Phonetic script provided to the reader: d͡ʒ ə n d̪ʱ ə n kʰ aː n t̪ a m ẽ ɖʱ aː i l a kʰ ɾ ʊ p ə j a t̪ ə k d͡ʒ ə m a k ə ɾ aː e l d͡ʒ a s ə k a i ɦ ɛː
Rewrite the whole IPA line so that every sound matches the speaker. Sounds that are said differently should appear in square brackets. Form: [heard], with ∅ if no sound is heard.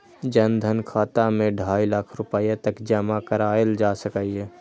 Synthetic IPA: d͡ʒ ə n d̪ʱ ə n kʰ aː [∅] t̪ a m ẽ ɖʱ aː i l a kʰ ɾ ʊ p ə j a t̪ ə k d͡ʒ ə m a k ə ɾ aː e l d͡ʒ a s ə k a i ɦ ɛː